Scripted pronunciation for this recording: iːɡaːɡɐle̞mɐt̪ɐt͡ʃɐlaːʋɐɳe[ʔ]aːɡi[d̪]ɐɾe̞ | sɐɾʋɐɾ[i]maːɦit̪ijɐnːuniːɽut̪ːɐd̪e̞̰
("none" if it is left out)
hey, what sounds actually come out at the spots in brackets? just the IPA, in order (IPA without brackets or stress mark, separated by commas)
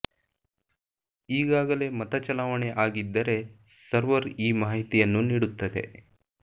ʔ, d̪ː, iː